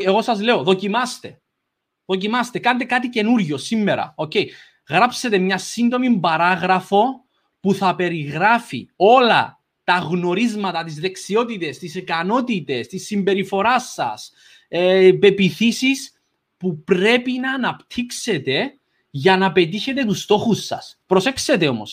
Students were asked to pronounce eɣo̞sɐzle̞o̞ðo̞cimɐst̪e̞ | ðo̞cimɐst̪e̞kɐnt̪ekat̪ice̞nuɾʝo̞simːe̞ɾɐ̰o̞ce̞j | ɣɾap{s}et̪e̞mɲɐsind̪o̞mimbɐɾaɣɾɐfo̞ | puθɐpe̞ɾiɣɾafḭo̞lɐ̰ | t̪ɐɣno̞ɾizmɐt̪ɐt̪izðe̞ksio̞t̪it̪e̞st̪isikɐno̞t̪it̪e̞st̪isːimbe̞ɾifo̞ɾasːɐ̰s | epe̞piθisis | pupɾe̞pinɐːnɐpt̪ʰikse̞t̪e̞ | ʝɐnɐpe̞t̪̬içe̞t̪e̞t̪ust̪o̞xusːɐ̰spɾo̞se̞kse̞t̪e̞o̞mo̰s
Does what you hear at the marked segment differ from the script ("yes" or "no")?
no